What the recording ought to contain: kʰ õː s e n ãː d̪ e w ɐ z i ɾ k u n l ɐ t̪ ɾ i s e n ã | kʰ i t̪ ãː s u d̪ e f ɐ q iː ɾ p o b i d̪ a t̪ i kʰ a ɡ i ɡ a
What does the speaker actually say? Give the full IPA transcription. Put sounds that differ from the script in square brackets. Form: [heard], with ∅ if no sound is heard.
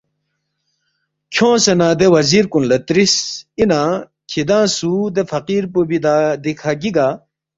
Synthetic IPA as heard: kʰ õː s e n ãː d̪ e w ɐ z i ɾ k u n l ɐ t̪ ɾ i s [i] n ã | kʰ i [d̪] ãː s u d̪ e f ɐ q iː ɾ p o b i d̪ a [d̪] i kʰ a ɡ i ɡ a

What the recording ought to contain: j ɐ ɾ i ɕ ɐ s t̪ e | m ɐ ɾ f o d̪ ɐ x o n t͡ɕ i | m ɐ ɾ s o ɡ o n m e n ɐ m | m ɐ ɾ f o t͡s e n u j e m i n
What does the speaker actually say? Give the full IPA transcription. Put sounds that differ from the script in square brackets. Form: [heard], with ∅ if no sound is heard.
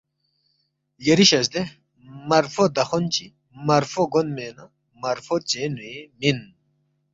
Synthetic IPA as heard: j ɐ ɾ i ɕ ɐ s [d̪] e | m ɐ ɾ f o d̪ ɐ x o n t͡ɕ i | m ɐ ɾ [f] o ɡ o n m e n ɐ [∅] | m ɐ ɾ f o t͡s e n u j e m i n

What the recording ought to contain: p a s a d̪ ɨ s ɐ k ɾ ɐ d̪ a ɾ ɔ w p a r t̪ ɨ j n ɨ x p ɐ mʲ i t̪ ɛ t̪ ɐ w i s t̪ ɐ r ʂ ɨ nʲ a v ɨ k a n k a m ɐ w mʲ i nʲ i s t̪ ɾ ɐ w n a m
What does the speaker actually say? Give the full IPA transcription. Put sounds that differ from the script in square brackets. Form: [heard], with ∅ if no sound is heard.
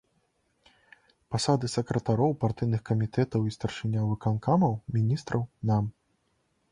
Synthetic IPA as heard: p a s a d̪ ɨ s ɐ k ɾ ɐ [t̪] a ɾ ɔ w p a r t̪ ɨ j n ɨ x [k] ɐ mʲ i t̪ ɛ t̪ ɐ w i s t̪ ɐ r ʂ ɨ nʲ a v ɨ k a n k a m ɐ w mʲ i nʲ i s t̪ ɾ ɐ w n a m

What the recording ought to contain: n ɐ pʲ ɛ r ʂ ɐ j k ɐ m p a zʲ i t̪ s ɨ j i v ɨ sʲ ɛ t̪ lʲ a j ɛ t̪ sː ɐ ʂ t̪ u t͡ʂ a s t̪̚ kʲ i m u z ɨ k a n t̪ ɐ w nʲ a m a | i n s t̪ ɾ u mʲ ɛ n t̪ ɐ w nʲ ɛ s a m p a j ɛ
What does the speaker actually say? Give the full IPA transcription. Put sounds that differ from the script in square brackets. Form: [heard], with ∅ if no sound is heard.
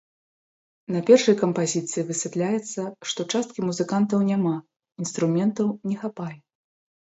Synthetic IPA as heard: n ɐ pʲ ɛ r ʂ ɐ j k ɐ m p a zʲ i t̪ s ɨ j i v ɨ sʲ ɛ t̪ lʲ a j ɛ t̪ sː ɐ ʂ t̪ [ɔ] t͡ʂ a s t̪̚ kʲ i m u z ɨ k a n t̪ ɐ w nʲ a m a | i n s t̪ ɾ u mʲ ɛ n t̪ ɐ w nʲ ɛ [x] a [∅] p a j ɛ

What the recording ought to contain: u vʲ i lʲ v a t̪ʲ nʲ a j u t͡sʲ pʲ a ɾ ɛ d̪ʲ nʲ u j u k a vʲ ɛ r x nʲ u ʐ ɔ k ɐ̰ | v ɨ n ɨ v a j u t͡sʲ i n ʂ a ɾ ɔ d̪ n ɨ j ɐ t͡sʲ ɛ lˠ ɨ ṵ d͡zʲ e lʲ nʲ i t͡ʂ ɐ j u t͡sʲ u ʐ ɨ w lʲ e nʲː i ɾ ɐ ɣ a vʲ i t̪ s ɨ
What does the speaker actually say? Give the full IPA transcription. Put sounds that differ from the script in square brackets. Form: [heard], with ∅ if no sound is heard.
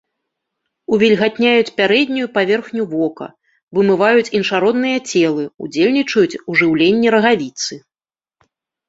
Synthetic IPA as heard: u vʲ i lʲ [ɣ] a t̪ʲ nʲ a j u t͡sʲ pʲ a ɾ ɛ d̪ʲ nʲ u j u [p] a vʲ ɛ r x nʲ u [v] ɔ k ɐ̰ | v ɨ [m] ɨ v a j u t͡sʲ i n ʂ a ɾ ɔ d̪ n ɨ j ɐ t͡sʲ ɛ lˠ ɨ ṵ d͡zʲ e lʲ nʲ i t͡ʂ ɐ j u t͡sʲ u ʐ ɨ w lʲ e nʲː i ɾ ɐ ɣ a vʲ i t̪ s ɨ

